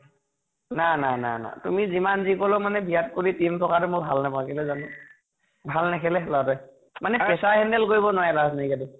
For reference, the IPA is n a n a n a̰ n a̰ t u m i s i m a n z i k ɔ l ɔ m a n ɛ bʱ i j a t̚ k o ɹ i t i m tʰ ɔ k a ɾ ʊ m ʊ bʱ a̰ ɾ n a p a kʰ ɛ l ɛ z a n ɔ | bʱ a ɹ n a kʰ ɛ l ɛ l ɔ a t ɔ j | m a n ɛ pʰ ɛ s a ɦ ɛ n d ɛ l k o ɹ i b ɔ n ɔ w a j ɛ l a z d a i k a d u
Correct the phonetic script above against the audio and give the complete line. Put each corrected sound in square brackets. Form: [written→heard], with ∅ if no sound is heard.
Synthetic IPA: n a n a n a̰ n a̰ t u m i [s→z] i m a n z i k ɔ l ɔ m a n ɛ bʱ i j a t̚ k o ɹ i t i m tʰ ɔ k a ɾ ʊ m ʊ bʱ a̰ [ɾ→l] n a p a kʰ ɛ l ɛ z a n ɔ | bʱ a [ɹ→l] n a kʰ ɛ l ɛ l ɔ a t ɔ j | m a n ɛ [pʰ→p] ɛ s a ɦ ɛ n d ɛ l k o ɹ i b ɔ n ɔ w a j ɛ l a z [d→n] a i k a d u